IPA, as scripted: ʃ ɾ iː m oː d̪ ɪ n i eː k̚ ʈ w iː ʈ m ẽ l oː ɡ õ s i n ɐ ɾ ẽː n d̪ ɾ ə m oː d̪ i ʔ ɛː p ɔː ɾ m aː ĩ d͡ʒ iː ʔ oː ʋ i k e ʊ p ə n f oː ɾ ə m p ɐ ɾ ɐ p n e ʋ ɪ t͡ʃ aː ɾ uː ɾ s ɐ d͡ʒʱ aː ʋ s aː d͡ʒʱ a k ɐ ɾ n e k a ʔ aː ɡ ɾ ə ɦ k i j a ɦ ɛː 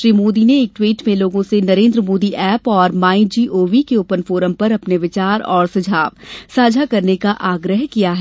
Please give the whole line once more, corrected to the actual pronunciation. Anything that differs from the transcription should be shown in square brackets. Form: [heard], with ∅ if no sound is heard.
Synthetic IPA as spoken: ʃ ɾ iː m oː d̪ [i] n [e] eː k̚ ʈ w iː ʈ m ẽ l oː ɡ õ s [e] n ɐ ɾ ẽː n d̪ ɾ ə m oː d̪ i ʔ ɛː p ɔː ɾ m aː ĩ d͡ʒ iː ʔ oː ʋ i k e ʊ p ə n f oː ɾ ə m p ɐ ɾ ɐ p n e ʋ ɪ t͡ʃ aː ɾ [ɔː] ɾ s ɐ d͡ʒʱ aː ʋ s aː d͡ʒʱ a k ɐ ɾ n e k a ʔ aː ɡ ɾ ə ɦ k i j a ɦ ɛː